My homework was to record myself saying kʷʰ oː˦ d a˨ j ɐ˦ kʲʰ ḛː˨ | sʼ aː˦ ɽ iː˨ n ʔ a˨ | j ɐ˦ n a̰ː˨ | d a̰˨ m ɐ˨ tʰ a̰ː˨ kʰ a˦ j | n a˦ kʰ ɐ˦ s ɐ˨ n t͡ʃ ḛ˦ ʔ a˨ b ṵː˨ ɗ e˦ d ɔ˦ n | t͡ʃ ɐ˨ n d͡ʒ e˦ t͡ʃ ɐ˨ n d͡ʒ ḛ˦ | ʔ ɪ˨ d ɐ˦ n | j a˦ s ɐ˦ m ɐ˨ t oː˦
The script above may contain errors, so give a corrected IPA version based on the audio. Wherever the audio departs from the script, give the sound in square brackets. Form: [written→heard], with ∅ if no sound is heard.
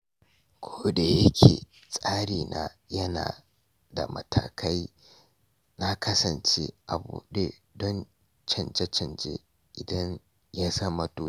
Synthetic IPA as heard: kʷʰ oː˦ d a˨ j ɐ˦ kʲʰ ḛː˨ | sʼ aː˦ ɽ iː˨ n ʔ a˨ | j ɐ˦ n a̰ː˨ | d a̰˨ m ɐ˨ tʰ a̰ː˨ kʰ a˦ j | n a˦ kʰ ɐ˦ s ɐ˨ n t͡ʃ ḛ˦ ʔ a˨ b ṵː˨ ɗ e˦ d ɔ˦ n | t͡ʃ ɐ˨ n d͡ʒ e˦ t͡ʃ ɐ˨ n d͡ʒ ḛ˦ | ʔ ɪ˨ d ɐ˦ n | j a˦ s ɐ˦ m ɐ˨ t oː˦